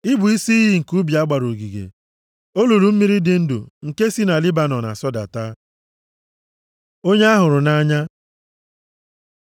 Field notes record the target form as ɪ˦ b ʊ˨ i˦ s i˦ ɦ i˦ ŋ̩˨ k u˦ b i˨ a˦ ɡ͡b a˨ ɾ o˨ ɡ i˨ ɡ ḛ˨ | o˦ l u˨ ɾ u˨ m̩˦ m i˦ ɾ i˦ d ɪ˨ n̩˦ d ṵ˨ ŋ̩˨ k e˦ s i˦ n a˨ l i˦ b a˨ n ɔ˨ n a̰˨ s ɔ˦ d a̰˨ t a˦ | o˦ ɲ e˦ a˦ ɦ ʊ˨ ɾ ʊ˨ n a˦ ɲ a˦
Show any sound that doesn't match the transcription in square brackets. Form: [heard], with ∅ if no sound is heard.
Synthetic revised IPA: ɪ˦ b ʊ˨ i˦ s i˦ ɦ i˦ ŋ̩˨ k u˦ b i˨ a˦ ɡ͡b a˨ ɾ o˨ ɡ i˨ ɡ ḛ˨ | o˦ l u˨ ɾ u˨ m̩˦ m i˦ ɾ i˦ d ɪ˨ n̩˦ d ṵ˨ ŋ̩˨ k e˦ s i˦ n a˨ l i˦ b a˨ n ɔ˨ n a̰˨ s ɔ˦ d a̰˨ t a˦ | o˦ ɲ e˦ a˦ ɦ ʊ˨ ɾ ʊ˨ n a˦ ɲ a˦

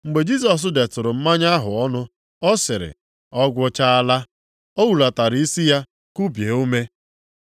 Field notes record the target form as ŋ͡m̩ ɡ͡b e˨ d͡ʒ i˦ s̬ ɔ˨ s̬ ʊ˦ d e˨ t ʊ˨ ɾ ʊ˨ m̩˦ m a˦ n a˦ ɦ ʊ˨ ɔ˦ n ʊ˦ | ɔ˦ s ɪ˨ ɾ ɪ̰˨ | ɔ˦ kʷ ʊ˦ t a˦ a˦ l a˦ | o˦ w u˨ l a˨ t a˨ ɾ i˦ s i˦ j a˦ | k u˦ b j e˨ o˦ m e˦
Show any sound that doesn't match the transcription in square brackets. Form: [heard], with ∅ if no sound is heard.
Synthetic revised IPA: ŋ͡m̩ ɡ͡b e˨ d͡ʒ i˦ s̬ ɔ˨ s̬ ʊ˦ d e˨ t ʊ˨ ɾ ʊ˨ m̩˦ m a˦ [ɲ] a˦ ɦ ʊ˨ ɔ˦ n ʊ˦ | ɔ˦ s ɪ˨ ɾ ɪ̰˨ | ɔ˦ [ɡʷ] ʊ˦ [t͡ʃ] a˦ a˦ l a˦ | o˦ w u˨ l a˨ t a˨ ɾ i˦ s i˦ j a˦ | k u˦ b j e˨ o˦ m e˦

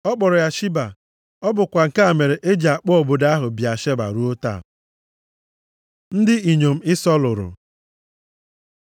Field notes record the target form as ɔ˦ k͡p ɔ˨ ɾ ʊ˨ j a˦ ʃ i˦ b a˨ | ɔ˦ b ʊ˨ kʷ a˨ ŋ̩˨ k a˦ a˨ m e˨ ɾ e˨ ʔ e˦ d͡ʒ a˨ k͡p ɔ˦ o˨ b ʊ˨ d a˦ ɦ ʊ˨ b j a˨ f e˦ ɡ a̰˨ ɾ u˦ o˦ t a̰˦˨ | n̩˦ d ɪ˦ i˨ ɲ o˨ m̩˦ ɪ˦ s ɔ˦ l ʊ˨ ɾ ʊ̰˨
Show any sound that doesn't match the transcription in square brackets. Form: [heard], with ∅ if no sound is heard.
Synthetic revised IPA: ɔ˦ k͡p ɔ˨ ɾ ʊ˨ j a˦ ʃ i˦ b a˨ | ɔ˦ b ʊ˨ kʷ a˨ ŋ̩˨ k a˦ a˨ m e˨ ɾ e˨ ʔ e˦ d͡ʒ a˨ k͡p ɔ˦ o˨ b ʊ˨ d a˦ ɦ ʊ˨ b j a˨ [ʃ] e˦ [b] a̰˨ ɾ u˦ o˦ t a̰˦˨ | n̩˦ d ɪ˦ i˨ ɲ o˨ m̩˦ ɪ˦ s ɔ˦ l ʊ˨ ɾ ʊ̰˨

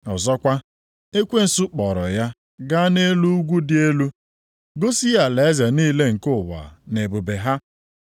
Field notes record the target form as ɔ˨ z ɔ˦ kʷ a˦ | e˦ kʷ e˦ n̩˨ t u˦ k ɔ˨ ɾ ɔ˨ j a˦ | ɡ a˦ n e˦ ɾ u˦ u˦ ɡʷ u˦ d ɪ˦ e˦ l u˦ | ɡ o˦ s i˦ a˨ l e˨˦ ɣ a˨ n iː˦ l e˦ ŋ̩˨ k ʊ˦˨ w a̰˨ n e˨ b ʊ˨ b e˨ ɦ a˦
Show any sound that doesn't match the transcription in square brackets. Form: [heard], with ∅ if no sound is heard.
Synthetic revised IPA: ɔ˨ z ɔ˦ kʷ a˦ | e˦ kʷ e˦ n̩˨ [s] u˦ [k͡p] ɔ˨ ɾ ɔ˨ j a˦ | ɡ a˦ n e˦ [l] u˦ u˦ ɡʷ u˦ d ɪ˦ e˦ l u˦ | ɡ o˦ s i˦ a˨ l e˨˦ [z] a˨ n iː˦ l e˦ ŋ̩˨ k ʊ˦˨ w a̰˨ n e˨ b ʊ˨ b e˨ ɦ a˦

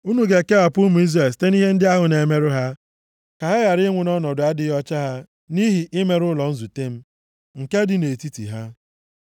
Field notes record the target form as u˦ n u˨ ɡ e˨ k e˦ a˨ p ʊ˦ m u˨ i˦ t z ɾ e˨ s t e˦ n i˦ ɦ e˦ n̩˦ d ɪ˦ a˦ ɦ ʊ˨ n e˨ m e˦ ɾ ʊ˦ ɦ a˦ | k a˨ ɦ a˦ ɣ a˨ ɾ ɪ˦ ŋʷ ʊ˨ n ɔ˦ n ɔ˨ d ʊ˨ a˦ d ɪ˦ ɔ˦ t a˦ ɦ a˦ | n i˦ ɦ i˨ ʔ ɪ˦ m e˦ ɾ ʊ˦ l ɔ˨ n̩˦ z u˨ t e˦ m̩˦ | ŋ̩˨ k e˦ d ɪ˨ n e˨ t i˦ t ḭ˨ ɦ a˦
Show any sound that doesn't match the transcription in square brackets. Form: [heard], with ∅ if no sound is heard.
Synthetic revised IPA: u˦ n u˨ ɡ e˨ k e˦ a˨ p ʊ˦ m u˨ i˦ [∅] z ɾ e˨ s t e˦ n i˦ ɦ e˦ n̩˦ d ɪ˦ a˦ ɦ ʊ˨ n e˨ m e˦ ɾ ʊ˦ ɦ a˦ | k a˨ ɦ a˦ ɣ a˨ ɾ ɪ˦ ŋʷ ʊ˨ n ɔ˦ n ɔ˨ d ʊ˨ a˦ d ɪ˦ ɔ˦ [t͡ʃ] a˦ ɦ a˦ | n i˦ ɦ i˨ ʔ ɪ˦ m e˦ ɾ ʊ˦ l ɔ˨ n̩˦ z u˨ t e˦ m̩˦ | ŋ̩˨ k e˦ d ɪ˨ n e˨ t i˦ t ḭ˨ ɦ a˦

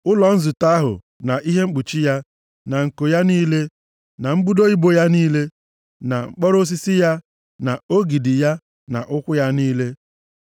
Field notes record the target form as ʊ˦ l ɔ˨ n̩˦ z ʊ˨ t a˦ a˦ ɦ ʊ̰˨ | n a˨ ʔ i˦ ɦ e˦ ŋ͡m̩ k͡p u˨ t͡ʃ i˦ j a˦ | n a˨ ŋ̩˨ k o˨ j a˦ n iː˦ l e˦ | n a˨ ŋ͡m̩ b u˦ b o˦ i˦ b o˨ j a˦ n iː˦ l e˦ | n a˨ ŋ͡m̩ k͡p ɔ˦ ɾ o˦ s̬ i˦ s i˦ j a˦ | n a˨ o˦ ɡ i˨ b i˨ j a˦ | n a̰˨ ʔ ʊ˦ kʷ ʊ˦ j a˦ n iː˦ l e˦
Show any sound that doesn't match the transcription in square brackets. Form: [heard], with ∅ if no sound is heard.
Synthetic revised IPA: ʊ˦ l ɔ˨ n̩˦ z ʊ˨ t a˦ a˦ ɦ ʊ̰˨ | n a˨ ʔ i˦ ɦ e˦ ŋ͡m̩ k͡p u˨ t͡ʃ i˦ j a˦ | n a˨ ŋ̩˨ k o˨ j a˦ n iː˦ l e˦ | n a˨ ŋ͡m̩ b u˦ [d] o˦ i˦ b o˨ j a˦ n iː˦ l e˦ | n a˨ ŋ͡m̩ k͡p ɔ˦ ɾ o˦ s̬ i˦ s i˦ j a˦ | n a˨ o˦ ɡ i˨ [d] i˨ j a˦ | n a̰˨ ʔ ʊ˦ kʷ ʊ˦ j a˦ n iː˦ l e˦

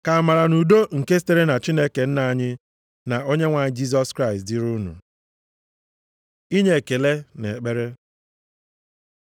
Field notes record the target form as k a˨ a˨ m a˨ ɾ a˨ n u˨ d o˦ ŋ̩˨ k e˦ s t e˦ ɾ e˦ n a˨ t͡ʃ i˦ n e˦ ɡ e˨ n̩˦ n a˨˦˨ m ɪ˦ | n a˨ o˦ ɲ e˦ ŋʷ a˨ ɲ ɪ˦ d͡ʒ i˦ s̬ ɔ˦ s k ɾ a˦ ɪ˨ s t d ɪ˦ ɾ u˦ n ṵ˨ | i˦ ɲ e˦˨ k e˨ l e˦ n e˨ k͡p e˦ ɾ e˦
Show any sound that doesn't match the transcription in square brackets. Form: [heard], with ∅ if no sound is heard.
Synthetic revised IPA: k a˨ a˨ m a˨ ɾ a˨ n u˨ d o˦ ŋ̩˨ k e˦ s t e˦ ɾ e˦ n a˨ t͡ʃ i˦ n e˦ [k] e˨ n̩˦ n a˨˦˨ [ɲ] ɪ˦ | n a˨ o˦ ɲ e˦ ŋʷ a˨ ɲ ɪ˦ d͡ʒ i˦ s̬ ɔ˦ s k ɾ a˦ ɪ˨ s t d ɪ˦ ɾ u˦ n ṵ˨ | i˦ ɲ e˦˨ k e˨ l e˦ n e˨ k͡p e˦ ɾ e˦

